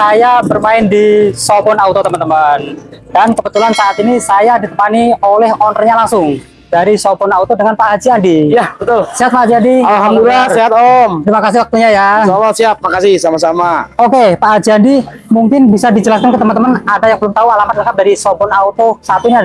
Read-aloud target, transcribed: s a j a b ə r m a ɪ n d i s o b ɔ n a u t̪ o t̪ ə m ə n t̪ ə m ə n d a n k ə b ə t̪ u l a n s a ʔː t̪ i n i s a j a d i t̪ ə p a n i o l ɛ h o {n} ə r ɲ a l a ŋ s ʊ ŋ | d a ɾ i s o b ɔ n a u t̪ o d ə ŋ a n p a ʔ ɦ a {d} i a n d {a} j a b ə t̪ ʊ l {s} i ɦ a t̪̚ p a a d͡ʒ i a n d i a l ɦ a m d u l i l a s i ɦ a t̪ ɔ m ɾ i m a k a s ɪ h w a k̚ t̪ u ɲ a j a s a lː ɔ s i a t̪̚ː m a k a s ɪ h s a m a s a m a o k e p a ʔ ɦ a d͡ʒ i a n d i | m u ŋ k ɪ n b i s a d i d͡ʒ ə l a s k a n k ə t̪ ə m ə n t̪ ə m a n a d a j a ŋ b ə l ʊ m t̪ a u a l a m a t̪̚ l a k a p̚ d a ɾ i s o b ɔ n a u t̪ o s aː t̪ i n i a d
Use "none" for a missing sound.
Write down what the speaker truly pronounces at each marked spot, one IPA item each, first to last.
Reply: n, d͡ʒ, i, s

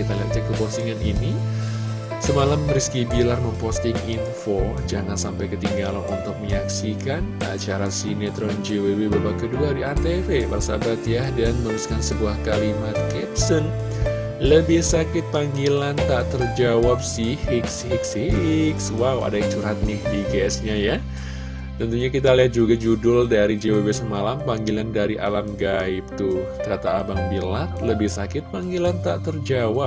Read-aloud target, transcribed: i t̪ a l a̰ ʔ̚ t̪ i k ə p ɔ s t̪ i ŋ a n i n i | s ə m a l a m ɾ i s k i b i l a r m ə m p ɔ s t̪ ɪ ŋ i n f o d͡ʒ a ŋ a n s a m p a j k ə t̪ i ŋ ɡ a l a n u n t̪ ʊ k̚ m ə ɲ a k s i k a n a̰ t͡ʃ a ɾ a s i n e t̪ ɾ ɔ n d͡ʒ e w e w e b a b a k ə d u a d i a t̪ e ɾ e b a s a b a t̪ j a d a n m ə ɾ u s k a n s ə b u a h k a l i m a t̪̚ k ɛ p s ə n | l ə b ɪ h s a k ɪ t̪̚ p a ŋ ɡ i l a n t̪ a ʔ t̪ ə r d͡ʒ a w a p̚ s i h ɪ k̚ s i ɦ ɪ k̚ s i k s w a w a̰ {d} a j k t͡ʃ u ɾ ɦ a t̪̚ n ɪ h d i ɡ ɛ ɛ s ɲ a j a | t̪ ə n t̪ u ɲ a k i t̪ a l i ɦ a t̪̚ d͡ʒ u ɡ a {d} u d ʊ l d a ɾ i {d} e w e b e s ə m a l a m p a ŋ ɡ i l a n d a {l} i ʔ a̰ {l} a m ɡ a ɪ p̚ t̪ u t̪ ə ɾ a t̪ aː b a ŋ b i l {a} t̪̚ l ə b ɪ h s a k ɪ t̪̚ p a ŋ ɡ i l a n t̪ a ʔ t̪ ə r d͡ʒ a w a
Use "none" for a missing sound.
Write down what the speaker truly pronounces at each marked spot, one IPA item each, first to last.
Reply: d, d͡ʒ, d͡ʒ, ɾ, l, a

